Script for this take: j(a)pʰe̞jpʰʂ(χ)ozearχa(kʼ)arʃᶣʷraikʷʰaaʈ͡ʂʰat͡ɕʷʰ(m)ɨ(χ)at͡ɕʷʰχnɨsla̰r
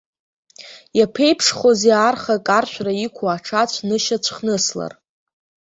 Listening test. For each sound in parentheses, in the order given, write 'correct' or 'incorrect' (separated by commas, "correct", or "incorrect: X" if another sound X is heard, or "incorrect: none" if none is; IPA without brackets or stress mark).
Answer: correct, correct, correct, incorrect: n, incorrect: ʃ